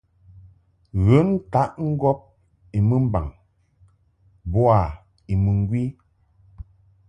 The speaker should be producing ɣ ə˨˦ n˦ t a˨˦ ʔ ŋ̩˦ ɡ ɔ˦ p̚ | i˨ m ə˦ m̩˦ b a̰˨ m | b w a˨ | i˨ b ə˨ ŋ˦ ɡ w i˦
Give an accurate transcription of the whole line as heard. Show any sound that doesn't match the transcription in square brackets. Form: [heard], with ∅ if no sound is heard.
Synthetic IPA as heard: ɣ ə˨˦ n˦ t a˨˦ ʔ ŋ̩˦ ɡ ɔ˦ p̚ | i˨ m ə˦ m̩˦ b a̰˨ [ŋ] | b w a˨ | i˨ [m] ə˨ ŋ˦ ɡ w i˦